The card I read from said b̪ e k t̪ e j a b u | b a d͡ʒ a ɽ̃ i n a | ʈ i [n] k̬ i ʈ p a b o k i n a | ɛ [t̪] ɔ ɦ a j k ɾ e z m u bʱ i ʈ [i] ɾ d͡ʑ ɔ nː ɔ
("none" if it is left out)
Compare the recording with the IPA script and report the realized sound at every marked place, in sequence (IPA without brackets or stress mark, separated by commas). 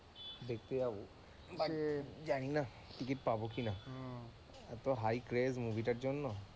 none, t̪, a